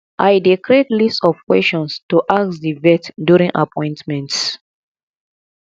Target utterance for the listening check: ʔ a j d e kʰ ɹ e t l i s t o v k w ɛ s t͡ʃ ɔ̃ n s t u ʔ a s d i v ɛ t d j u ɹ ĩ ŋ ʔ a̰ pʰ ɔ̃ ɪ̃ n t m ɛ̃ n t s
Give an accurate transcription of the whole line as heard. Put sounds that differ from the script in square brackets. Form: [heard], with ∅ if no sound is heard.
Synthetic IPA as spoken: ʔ a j d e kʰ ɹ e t l i s t [ɔ] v k w ɛ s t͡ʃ ɔ̃ n s t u ʔ a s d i v ɛ t d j u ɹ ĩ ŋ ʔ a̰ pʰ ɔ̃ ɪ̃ n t m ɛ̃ n t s